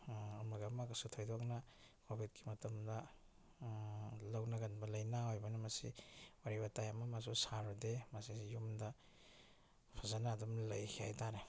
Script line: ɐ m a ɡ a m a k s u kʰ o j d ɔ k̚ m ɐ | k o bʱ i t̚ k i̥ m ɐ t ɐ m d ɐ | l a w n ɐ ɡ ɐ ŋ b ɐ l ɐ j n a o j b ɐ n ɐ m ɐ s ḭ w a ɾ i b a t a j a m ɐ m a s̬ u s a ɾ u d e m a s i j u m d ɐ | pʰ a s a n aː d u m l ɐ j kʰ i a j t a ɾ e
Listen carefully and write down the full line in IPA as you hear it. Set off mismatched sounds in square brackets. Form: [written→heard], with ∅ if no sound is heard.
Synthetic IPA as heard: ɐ m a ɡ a m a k s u [kʰ→tʰ] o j d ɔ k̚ [m→n] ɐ | k o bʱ i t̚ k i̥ m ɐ t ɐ m d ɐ | l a w n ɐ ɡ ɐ [ŋ→n] b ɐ l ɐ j n a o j b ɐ n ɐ m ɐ s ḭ w a ɾ i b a t a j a m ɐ m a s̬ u s a ɾ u d e m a s i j u m d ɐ | pʰ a [s→z] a n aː d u m l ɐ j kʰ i a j t a ɾ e